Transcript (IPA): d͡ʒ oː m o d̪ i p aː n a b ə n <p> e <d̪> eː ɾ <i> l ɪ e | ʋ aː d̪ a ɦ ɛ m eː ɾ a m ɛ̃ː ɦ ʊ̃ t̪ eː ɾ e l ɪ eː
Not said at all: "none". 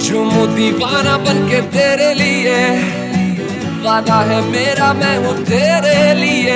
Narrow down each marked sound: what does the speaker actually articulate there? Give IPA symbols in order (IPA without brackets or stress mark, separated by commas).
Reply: k, t̪, e